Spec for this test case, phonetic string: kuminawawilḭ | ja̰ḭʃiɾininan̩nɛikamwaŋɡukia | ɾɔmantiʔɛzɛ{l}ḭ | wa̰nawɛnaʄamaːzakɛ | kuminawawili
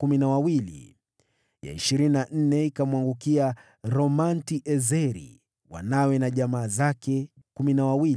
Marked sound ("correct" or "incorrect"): incorrect